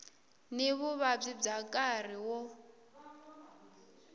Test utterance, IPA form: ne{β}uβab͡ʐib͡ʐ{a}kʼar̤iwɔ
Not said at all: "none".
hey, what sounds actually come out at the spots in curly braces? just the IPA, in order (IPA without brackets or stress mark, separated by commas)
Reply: β, a